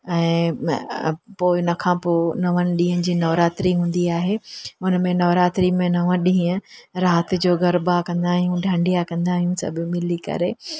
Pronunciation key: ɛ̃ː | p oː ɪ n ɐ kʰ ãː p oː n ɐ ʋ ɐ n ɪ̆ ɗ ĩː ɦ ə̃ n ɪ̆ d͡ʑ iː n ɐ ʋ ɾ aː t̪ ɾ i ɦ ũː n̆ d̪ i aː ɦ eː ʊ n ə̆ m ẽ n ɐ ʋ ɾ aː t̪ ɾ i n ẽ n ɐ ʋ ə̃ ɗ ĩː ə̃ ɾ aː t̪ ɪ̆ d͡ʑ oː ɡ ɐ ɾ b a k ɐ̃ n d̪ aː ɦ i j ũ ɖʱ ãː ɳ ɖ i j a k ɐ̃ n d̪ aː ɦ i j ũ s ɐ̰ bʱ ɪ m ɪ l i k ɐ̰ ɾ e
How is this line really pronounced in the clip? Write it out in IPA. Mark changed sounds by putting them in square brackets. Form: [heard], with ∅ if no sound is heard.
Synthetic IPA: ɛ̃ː | p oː ɪ n ɐ kʰ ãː p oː n ɐ ʋ [ə] n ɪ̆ ɗ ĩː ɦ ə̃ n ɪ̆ d͡ʑ iː n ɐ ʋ ɾ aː t̪ ɾ i ɦ ũː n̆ d̪ i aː ɦ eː ʊ n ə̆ m ẽ n ɐ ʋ ɾ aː t̪ ɾ i [m] ẽ n ɐ ʋ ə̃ ɗ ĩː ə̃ ɾ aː t̪ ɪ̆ d͡ʑ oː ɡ ɐ ɾ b a k ɐ̃ n d̪ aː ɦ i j ũ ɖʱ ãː ɳ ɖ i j a k ɐ̃ n d̪ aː ɦ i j ũ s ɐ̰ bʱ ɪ m ɪ l i k ɐ̰ ɾ e